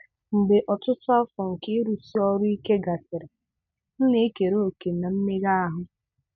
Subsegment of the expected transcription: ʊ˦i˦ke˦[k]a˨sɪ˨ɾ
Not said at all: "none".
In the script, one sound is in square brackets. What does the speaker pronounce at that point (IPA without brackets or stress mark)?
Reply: ɡ